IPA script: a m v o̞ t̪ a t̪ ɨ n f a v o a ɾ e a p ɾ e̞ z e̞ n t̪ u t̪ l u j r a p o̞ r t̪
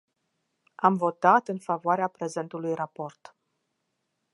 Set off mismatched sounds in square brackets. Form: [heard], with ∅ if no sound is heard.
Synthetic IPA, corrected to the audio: a m v o̞ t̪ a t̪ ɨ n f a v o a ɾ e a p ɾ e̞ z e̞ n t̪ u [∅] l u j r a p o̞ r t̪